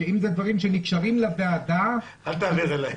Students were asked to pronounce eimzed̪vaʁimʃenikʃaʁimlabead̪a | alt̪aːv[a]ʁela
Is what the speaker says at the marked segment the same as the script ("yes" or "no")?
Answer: no